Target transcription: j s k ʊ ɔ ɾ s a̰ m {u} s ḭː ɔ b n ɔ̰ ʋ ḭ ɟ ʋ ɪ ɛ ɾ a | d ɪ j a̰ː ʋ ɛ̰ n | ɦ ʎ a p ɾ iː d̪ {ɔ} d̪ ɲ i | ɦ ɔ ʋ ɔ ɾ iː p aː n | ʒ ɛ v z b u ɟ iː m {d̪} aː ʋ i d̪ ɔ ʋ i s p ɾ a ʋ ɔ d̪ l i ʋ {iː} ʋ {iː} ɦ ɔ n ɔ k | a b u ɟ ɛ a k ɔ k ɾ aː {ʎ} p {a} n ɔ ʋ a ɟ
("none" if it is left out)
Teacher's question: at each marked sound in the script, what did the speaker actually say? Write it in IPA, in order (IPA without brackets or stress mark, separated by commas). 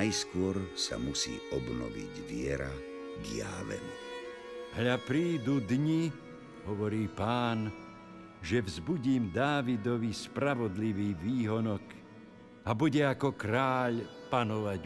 u, u, d̪, iː, iː, ʎ, a